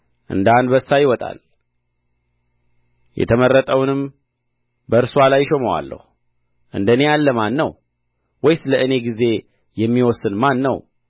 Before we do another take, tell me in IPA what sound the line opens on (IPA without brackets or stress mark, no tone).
ʔ